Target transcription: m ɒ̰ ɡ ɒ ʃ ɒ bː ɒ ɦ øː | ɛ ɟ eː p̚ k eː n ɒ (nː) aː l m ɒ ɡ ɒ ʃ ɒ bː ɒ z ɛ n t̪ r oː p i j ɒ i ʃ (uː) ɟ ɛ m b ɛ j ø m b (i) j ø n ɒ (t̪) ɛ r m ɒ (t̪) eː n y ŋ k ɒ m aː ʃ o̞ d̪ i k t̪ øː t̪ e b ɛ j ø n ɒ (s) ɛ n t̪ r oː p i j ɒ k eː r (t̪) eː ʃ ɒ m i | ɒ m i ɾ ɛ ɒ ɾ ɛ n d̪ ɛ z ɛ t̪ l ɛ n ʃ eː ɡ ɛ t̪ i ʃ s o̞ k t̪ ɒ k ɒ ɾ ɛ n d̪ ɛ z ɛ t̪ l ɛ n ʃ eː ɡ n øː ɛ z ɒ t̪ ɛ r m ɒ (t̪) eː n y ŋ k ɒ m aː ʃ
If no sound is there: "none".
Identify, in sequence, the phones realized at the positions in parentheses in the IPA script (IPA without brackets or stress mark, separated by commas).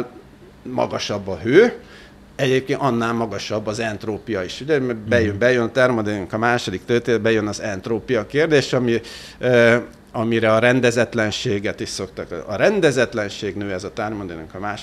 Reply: nː, u, ɛ, t̪, d̪, z, d̪, d̪